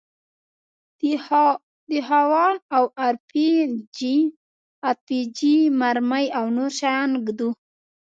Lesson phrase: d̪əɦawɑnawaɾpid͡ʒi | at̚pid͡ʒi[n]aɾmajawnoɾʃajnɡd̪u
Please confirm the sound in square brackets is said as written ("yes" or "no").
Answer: no